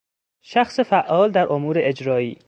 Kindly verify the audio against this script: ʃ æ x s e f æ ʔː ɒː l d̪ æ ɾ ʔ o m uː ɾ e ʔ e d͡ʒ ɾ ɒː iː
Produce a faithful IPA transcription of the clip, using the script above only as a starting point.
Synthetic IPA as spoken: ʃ æ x s e f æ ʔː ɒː l d̪ æ ɾ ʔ o m uː ɾ e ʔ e d͡ʒ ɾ ɒː iː

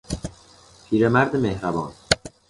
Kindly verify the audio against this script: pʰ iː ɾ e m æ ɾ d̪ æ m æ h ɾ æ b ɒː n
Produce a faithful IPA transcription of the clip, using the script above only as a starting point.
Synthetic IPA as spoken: pʰ iː ɾ e m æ ɾ d̪ e m e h ɾ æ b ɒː n

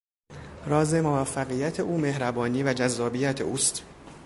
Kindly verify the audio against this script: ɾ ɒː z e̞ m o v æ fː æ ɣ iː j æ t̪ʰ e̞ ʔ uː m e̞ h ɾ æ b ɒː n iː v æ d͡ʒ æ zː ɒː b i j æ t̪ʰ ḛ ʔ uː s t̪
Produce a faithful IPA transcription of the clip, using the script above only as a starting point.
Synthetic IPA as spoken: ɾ ɒː z e̞ m o v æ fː æ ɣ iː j æ t̪ʰ e̞ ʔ uː m e̞ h ɾ æ b ɒː n iː v æ d͡ʒ æ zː ɒː b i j æ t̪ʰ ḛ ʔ uː s t̪

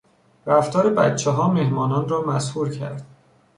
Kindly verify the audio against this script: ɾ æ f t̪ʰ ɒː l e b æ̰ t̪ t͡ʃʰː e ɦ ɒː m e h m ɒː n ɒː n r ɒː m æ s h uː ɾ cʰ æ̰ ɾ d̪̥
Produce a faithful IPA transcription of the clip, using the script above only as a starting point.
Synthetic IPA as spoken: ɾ æ f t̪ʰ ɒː ɾ e b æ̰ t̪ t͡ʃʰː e ɦ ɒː m e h m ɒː n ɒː n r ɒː m æ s h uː ɾ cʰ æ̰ ɾ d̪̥

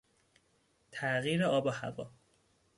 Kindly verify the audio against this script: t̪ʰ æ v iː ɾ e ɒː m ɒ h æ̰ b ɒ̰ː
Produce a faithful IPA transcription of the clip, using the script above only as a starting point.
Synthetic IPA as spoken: t̪ʰ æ ɣ iː ɾ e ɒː b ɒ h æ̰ v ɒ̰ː

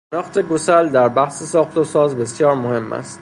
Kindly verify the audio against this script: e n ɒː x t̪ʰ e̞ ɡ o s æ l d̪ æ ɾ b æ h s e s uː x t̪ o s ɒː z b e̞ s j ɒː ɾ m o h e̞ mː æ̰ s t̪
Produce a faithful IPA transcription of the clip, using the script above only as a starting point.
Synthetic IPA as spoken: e n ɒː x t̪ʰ e̞ ɡ o s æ l d̪ æ ɾ b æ h s e s ɒː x t̪ o s ɒː z b e̞ s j ɒː ɾ m o h e̞ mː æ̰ s t̪

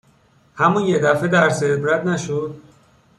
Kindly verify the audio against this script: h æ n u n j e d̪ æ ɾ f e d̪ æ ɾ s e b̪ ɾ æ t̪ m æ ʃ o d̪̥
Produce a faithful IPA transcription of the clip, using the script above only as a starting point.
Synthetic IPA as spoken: h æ m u n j e d̪ æ f e d̪ æ ɾ s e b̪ ɾ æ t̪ n æ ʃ o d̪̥

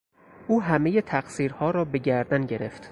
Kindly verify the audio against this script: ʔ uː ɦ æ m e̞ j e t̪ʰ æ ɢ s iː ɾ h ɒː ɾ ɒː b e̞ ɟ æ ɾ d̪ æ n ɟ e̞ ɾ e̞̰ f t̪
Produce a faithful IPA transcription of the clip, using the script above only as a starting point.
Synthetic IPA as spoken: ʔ uː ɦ æ m e̞ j e t̪ʰ æ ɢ s iː ɾ h ɒː ɾ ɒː b e̞ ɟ æ ɾ d̪ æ n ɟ e̞ ɾ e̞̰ f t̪

